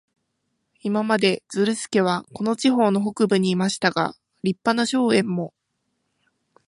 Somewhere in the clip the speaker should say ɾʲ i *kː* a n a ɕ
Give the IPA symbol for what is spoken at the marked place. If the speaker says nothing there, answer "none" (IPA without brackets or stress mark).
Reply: pː